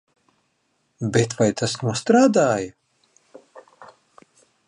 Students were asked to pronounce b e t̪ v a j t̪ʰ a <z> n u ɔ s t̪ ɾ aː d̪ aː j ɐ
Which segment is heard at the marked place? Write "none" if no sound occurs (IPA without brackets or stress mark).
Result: s